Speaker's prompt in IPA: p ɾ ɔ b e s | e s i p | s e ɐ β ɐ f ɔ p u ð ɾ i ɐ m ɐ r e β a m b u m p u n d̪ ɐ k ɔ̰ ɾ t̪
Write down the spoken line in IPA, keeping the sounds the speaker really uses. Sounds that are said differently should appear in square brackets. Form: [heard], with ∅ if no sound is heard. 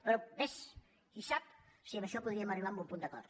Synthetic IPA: p ɾ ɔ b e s | [i] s [a] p | s [i] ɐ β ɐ [ʃ] ɔ p u ð ɾ i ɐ m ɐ r [i] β a m b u m p u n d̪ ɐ k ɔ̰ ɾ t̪